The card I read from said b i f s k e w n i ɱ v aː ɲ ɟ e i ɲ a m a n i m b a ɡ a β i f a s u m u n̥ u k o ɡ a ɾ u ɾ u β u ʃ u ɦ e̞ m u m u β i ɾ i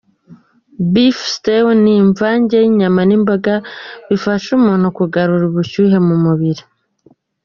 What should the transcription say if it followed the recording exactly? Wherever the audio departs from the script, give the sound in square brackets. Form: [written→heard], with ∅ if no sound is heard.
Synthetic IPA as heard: b i f s [k→t] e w n i ɱ v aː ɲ ɟ e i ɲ a m a n i m b a ɡ a β i f a [s→ʃ] u m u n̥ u k [o→u] ɡ a ɾ u ɾ u β u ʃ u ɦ e̞ m u m u β i ɾ i